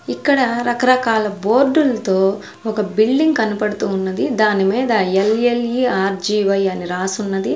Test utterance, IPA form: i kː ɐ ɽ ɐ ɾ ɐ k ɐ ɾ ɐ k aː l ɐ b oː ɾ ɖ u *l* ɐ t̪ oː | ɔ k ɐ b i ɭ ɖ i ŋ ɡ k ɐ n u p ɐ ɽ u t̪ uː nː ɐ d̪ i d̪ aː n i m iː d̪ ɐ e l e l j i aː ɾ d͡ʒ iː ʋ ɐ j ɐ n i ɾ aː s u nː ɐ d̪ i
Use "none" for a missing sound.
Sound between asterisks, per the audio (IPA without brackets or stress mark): l